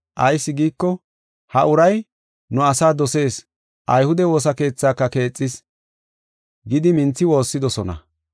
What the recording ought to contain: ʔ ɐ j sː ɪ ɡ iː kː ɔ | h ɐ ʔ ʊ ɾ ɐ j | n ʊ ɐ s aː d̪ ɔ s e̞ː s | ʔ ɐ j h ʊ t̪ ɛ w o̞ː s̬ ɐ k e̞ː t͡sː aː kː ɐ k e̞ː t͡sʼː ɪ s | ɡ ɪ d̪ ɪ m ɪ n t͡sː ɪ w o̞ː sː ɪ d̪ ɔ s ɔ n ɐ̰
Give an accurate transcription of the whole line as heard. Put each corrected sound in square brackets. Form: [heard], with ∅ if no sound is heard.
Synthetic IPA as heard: ʔ ɐ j sː ɪ ɡ iː kː ɔ | h ɐ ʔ ʊ ɾ ɐ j | n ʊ ɐ s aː d̪ ɔ s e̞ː s | ʔ ɐ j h ʊ [d̪] ɛ w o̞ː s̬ ɐ k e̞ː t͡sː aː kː ɐ k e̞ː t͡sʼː ɪ s | ɡ ɪ d̪ ɪ m ɪ n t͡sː ɪ w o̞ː sː ɪ d̪ ɔ s ɔ n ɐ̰